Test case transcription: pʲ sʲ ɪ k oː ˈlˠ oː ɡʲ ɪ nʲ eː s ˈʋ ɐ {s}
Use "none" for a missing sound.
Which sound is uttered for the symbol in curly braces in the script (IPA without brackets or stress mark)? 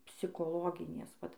t